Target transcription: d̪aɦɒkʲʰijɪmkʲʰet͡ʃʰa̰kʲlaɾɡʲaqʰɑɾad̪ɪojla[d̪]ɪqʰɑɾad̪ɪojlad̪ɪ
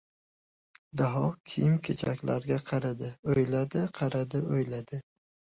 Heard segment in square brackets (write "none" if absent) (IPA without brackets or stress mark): d̪